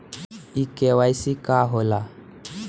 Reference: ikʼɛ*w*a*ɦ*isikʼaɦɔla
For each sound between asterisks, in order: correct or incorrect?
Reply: correct, incorrect: none

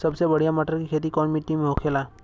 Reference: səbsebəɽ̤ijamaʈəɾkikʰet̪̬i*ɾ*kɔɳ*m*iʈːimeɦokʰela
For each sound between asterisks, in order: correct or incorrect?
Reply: incorrect: none, correct

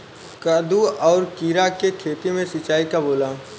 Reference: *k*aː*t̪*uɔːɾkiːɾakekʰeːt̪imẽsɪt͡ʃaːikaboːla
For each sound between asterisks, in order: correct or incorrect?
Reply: correct, incorrect: d̪

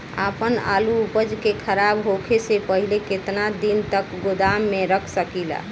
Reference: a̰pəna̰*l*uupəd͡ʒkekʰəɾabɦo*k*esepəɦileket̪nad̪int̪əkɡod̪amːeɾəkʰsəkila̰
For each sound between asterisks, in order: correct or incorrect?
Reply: correct, incorrect: kʰ

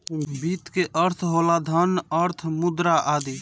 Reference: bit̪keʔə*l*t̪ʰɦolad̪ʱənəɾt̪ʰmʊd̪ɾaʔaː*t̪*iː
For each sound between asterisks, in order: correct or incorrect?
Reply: incorrect: ɾ, incorrect: d̪

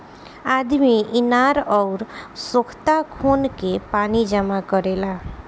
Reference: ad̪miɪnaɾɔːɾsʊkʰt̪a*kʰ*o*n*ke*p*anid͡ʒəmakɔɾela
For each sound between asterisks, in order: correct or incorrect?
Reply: correct, correct, correct

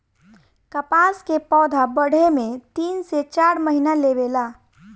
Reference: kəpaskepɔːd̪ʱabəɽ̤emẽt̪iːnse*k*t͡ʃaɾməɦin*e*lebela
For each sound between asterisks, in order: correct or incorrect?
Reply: incorrect: none, incorrect: a

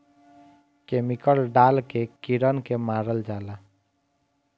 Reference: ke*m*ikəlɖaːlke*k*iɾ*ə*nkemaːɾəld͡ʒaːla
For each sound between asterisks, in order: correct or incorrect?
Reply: correct, correct, correct

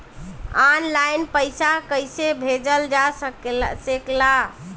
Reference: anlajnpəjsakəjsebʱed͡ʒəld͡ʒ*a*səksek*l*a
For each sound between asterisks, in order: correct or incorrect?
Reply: correct, correct

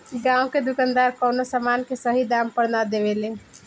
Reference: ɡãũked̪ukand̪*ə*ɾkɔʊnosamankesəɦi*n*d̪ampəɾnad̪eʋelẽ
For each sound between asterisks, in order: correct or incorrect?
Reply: incorrect: a, incorrect: none

